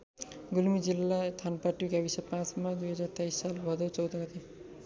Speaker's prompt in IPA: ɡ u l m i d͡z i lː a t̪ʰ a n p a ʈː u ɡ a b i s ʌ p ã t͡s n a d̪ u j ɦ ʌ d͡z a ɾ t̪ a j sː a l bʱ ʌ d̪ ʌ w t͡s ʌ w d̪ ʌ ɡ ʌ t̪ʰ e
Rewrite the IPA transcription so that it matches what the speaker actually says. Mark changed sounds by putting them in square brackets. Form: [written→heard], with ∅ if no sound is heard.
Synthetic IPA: ɡ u l m i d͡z i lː a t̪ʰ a n p a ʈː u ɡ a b i s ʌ p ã t͡s [n→m] a d̪ u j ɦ ʌ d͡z a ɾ t̪ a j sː a l bʱ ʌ d̪ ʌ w t͡s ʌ w d̪ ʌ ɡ ʌ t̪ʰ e